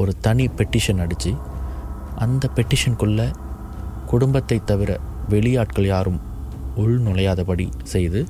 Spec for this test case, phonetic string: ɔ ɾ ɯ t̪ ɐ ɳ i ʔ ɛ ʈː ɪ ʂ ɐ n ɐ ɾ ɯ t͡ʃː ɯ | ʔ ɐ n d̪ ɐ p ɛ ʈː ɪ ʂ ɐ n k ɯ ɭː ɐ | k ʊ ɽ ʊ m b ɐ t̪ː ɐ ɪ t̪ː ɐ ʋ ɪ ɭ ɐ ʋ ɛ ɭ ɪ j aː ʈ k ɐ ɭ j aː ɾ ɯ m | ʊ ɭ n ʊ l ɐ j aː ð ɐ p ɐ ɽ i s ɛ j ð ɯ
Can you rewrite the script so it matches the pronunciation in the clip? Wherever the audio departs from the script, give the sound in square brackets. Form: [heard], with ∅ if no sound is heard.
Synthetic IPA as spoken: ɔ ɾ ɯ t̪ ɐ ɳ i [p] ɛ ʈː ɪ ʂ ɐ n ɐ [ɽ] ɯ t͡ʃː ɯ | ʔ ɐ n d̪ ɐ p ɛ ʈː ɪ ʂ ɐ n k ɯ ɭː ɐ | k ʊ ɽ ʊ m b ɐ t̪ː ɐ ɪ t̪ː ɐ ʋ ɪ [ɾ] ɐ ʋ ɛ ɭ ɪ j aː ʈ k ɐ ɭ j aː ɾ ɯ m | ʊ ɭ n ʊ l ɐ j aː ð ɐ p ɐ ɽ i s ɛ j ð ɯ